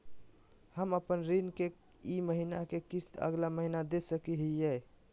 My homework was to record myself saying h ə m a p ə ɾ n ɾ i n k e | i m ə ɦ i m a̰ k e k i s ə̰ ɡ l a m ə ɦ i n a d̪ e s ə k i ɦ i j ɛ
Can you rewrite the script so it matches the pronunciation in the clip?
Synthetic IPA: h ə m ə p ə n ɾ i n k e | i m ə ɦ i n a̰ k e k i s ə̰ ɡ l a m ə ɦ i n a d̪ e s ə k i ɦ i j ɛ